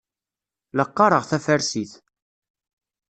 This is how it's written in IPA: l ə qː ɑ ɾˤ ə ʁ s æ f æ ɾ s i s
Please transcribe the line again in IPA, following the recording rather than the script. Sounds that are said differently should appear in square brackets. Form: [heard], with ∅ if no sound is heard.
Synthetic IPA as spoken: l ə qː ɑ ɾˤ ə ʁ [θ] æ f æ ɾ s i [θ]